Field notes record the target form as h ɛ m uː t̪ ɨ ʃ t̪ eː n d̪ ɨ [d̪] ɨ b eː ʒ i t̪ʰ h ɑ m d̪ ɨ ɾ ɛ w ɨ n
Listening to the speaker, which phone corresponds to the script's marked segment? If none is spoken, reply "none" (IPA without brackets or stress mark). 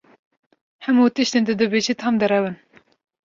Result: d̪